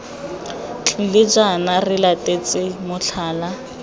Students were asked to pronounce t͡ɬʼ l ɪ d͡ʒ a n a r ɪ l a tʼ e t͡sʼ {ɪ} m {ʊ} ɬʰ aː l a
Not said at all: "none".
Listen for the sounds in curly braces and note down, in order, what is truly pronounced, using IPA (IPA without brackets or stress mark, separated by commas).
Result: ɪ, ʊ